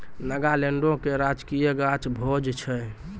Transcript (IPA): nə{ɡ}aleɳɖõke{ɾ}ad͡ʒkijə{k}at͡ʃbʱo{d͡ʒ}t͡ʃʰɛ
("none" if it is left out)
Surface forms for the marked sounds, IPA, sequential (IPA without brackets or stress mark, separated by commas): ɡ, ɾ, ɡ, d͡ʒ